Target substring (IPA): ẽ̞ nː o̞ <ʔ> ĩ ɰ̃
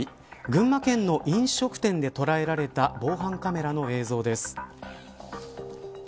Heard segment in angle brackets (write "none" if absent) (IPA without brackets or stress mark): ʔ